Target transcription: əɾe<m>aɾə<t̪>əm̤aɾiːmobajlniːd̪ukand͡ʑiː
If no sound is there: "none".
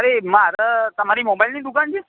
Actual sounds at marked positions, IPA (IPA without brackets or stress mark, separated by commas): m, t̪